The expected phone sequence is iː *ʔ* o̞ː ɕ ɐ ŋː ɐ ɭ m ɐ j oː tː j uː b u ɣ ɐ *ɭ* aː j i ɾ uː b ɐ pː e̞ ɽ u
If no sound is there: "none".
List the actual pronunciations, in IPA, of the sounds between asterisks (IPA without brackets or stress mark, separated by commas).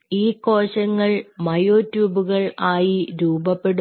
k, ɭ